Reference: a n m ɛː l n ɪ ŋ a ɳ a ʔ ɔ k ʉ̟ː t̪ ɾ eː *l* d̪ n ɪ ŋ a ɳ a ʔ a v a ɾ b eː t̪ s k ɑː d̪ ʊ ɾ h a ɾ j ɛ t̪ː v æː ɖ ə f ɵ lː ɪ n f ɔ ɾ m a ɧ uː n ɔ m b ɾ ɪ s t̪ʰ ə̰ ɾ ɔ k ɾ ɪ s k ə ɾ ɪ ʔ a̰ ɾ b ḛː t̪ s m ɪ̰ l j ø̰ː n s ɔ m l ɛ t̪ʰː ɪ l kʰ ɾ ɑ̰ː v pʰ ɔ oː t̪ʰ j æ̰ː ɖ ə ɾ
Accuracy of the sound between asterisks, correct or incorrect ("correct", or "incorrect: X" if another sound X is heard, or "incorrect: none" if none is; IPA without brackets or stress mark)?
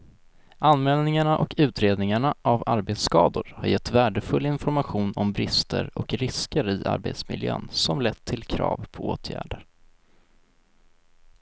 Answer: incorrect: none